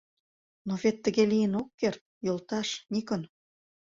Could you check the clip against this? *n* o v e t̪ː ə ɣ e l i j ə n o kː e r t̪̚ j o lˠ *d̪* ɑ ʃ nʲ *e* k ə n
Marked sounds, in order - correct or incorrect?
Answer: correct, incorrect: t̪, incorrect: i

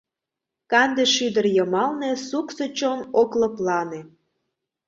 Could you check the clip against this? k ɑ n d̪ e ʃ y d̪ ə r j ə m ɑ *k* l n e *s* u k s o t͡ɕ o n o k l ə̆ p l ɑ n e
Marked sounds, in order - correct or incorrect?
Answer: incorrect: none, correct

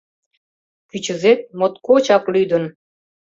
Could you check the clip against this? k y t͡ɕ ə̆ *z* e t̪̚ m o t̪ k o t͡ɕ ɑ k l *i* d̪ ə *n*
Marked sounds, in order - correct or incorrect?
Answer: correct, incorrect: y, correct

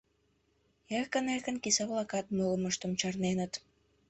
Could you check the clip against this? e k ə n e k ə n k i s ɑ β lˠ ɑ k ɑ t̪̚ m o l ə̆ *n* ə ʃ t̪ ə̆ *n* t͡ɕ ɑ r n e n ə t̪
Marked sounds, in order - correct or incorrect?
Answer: incorrect: m, incorrect: m

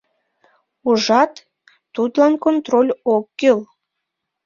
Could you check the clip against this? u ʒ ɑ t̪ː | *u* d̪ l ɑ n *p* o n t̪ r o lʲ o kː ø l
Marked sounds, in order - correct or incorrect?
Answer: correct, incorrect: k

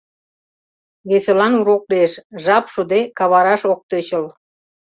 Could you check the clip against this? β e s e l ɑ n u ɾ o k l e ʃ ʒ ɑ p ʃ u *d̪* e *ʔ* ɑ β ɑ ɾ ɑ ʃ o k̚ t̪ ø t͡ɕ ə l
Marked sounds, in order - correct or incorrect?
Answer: correct, incorrect: k

